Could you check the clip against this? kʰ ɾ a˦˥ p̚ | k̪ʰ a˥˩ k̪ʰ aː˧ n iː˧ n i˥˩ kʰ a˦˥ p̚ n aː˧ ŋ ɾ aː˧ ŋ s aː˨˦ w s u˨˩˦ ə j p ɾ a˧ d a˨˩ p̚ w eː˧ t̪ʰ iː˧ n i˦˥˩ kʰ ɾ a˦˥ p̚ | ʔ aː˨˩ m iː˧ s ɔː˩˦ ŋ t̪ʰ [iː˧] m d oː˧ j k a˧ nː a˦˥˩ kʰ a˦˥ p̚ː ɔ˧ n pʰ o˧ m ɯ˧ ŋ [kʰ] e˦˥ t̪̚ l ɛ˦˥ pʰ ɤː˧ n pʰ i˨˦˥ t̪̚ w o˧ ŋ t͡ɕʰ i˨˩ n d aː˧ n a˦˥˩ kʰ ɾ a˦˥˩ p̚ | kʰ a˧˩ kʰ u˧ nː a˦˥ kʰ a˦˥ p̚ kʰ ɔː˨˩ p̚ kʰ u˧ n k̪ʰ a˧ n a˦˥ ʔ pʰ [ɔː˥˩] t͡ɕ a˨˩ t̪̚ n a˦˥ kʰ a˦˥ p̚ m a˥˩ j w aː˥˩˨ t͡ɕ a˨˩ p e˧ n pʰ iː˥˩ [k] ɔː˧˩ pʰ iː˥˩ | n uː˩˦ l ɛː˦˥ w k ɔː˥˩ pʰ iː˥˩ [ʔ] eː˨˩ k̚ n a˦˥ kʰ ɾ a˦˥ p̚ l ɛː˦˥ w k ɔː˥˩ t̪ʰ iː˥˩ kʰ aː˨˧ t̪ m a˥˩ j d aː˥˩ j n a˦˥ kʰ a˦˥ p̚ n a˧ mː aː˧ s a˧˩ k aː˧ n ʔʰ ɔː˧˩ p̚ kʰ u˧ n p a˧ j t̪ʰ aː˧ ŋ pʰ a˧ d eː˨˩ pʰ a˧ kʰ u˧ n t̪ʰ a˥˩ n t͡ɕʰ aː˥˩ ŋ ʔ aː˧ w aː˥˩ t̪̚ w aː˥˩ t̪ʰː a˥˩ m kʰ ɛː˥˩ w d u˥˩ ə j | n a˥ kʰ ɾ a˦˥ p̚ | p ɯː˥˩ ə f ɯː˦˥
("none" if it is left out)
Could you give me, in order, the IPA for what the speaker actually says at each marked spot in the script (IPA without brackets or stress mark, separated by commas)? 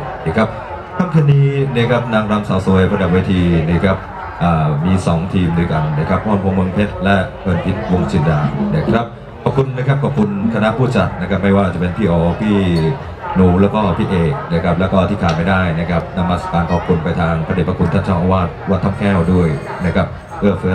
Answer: iː˧, pʰ, uː˥˩, ʔ, ʔ